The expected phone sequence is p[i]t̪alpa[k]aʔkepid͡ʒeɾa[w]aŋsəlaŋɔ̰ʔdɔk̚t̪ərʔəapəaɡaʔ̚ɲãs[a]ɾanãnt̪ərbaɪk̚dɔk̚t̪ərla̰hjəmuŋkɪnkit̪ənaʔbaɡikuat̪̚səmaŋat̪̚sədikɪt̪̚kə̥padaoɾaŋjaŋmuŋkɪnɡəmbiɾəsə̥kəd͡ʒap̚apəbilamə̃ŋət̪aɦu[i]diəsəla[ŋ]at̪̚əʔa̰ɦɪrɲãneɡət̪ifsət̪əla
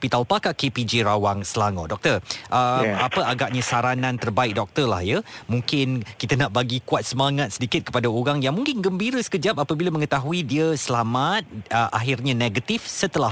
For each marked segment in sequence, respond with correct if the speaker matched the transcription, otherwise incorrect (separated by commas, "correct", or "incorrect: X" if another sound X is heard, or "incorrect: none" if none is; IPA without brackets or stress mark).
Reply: correct, correct, correct, correct, correct, incorrect: m